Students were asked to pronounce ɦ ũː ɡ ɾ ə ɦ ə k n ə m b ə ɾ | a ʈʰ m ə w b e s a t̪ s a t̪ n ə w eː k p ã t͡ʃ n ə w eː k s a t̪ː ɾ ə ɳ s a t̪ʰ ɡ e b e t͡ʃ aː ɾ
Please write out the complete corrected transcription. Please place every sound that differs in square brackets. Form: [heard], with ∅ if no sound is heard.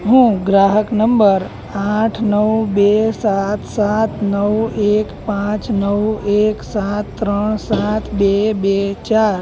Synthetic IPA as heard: ɦ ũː ɡ ɾ [a] ɦ ə k n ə m b ə ɾ | a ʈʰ [n] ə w b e s a t̪ s a t̪ n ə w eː k p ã t͡ʃ n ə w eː k s a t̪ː ɾ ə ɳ s a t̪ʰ [b] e b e t͡ʃ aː ɾ